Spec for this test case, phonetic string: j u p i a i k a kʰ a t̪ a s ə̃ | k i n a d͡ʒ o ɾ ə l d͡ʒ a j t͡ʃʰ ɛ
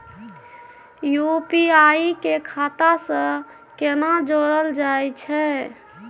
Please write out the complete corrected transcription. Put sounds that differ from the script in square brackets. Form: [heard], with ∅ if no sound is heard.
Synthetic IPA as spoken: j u p i a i k [e] kʰ a t̪ a s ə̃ | k [e] n a d͡ʒ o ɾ ə l d͡ʒ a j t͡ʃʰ ɛ